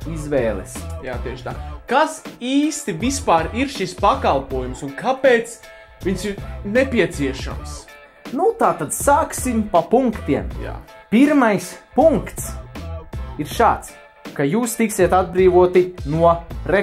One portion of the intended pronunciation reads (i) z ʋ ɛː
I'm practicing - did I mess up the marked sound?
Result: no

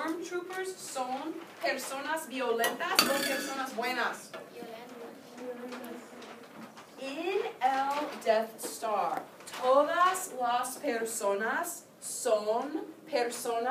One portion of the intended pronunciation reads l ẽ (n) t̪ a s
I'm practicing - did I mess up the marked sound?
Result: no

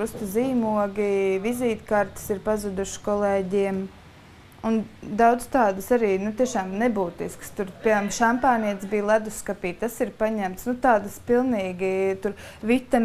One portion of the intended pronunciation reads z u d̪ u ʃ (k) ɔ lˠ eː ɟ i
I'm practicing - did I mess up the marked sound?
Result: no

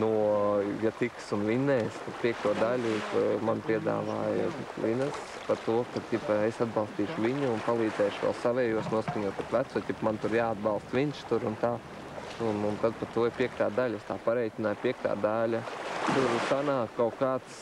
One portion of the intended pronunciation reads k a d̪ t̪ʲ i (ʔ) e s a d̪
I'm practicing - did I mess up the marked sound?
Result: yes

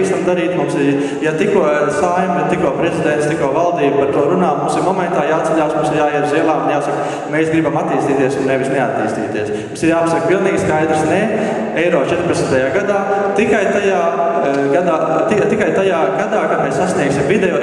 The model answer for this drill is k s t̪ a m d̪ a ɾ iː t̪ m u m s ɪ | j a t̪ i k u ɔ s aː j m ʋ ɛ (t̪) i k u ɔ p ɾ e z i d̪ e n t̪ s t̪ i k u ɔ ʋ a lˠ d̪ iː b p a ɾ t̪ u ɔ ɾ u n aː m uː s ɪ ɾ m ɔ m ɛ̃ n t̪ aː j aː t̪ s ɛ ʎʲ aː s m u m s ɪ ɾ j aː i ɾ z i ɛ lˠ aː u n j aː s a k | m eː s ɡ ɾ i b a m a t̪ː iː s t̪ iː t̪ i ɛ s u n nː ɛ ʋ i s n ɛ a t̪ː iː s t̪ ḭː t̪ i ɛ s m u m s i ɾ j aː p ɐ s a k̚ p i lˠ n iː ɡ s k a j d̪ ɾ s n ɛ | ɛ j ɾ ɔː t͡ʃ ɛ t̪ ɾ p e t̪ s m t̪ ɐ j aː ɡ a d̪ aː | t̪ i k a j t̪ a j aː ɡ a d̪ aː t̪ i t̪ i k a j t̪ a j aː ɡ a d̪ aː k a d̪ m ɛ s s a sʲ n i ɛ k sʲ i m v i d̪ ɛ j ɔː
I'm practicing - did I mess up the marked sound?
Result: no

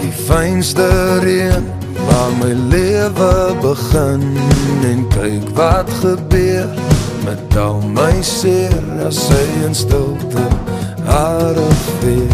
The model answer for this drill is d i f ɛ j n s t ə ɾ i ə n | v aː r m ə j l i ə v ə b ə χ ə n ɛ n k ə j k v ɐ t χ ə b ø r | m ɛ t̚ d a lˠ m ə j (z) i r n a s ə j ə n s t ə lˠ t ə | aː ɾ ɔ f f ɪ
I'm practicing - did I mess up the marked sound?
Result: yes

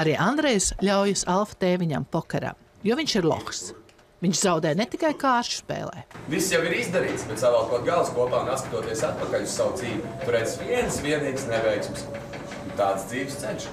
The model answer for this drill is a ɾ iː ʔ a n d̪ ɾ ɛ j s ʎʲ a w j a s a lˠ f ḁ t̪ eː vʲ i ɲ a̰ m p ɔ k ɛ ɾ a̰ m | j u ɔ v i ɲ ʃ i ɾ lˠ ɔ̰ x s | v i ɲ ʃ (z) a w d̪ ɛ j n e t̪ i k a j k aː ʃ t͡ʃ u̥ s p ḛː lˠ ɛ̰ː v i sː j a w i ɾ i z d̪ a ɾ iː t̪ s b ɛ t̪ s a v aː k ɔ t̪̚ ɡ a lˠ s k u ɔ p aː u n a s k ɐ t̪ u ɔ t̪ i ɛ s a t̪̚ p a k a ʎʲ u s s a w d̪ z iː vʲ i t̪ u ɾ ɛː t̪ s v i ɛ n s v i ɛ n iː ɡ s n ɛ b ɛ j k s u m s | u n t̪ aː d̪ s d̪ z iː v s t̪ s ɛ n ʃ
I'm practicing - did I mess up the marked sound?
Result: no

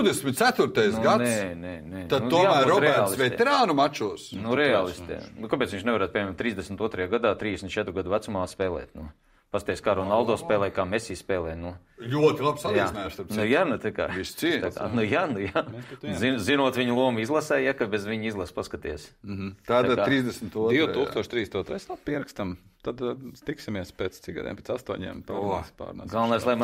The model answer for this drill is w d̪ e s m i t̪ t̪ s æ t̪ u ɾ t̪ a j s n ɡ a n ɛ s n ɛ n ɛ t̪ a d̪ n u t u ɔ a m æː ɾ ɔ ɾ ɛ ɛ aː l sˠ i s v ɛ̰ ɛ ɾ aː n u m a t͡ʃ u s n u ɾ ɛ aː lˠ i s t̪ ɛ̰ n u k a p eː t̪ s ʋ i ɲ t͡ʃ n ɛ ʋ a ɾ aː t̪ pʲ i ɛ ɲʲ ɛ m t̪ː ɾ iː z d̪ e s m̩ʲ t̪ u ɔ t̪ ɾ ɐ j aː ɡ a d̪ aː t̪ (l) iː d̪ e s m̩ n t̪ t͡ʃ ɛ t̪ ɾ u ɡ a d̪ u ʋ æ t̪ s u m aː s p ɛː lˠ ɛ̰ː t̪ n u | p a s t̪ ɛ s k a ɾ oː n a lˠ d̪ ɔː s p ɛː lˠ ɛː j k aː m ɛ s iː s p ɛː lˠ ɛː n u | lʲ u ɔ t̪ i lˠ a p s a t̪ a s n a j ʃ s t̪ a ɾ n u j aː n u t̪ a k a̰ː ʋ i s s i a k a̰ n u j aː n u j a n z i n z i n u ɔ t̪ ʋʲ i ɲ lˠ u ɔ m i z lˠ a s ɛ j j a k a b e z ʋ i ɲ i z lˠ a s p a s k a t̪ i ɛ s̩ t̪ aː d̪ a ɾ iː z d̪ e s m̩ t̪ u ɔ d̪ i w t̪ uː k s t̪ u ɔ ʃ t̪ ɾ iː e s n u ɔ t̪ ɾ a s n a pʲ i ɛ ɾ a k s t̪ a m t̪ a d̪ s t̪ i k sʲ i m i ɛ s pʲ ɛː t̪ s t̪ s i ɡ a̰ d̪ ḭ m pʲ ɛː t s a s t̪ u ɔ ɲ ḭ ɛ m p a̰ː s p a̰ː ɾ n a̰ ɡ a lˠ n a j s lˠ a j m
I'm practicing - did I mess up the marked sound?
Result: yes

